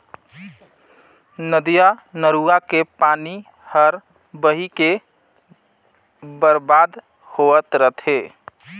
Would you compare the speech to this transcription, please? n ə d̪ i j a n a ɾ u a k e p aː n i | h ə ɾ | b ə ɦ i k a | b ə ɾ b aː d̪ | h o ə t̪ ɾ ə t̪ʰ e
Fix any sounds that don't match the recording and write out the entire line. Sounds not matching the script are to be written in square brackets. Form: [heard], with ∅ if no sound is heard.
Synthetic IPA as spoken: n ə d̪ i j a n [ə] ɾ u a k e p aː n i | h ə ɾ | b ə ɦ i k [e] | b ə ɾ b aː d̪ | h o ə t̪ ɾ ə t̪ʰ e